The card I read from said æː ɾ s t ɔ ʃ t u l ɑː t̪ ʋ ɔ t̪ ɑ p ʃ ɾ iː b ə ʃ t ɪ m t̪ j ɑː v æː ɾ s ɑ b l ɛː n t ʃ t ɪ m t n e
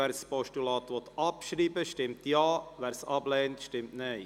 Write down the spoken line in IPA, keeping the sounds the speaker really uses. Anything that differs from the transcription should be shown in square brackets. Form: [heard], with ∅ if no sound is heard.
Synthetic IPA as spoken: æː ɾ s [p] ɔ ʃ t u l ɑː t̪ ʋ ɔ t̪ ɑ p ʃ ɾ iː b ə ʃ t ɪ m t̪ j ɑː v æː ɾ s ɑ b l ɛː n t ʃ t ɪ m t n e